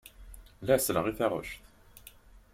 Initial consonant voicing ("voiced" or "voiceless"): voiced